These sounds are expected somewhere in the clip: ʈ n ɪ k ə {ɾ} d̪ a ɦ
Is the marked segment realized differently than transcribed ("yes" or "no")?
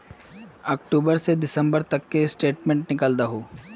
yes